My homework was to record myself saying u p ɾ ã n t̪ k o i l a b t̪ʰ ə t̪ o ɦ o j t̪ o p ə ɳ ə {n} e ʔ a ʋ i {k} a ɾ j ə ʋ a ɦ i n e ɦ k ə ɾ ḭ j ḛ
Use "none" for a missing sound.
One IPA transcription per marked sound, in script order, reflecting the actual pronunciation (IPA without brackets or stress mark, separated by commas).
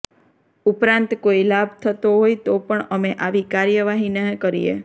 m, k